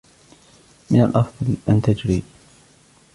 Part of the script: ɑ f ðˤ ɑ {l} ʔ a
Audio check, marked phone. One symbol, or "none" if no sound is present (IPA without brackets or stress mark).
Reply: l